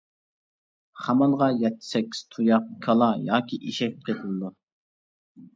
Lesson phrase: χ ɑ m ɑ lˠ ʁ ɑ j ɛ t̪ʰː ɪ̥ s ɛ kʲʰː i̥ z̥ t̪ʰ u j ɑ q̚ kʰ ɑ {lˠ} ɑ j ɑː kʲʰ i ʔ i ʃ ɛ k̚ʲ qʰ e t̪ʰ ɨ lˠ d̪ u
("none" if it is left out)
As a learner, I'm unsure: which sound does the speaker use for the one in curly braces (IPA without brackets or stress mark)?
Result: lˠ